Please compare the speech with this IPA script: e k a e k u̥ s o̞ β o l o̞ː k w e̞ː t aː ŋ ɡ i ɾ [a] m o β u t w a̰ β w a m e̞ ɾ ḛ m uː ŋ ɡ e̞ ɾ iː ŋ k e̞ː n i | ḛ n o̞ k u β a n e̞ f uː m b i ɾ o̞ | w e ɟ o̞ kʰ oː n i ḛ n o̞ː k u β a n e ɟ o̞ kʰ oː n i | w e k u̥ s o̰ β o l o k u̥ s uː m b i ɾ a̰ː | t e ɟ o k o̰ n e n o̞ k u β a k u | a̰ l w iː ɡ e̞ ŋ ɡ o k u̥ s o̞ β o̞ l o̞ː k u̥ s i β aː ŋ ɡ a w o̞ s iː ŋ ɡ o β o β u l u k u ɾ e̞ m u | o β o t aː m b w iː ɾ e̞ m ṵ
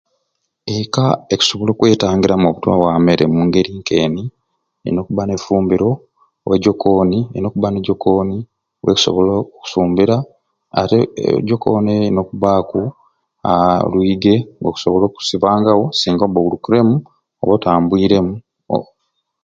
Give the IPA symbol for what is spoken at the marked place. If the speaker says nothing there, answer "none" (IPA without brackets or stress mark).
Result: a